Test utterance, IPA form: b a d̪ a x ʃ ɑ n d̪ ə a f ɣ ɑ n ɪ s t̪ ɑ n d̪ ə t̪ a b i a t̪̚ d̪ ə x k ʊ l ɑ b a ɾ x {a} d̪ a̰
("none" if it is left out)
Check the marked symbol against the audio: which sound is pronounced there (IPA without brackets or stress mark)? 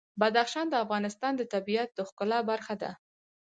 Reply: a